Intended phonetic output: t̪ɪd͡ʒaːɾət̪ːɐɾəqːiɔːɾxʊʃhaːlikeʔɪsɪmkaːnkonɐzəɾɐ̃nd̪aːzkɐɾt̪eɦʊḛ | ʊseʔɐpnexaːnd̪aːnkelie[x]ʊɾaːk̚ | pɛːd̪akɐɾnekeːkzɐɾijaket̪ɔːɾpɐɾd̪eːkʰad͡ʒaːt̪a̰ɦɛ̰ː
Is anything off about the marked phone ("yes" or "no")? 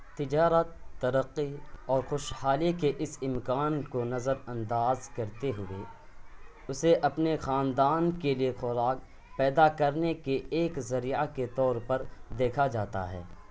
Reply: no